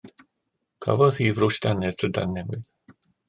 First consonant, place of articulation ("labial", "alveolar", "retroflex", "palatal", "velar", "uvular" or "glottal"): velar